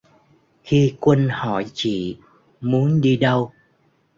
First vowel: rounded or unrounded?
unrounded